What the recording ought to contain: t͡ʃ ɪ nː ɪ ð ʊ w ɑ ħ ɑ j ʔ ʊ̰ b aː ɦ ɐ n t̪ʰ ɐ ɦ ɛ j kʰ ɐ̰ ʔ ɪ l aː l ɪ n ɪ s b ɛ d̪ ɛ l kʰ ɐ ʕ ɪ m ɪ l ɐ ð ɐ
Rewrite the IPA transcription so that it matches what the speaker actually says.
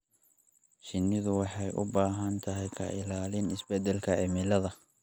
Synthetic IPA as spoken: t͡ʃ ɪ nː ɪ ð ʊ w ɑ ħ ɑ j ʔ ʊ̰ b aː ɦ ɐ n t̪ʰ ɐ ɦ ɛ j kʰ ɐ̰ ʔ ɪ l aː l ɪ n ɪ s b ɛ d̪ ɛ l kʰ ɐ ʕ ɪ m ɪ l ɐ ð ɐ